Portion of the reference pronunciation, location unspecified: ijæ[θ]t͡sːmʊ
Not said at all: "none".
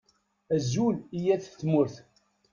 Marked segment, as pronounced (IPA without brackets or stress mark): θ